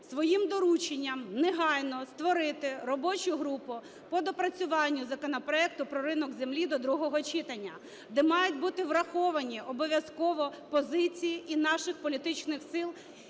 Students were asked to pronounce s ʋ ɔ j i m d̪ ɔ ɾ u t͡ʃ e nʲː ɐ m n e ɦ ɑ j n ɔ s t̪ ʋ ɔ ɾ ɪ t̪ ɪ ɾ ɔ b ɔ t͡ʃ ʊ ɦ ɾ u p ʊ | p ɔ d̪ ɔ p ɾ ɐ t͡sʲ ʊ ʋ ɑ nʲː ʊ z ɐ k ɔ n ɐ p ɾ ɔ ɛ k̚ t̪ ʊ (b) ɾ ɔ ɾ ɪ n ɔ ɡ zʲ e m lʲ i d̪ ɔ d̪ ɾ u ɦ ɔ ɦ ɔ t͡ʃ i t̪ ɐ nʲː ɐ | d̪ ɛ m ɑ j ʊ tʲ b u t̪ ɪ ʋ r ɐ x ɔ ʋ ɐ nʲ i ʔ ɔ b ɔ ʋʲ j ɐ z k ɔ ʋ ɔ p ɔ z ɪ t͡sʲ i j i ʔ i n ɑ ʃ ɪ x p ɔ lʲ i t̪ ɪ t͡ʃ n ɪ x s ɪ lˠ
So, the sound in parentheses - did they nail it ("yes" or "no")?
no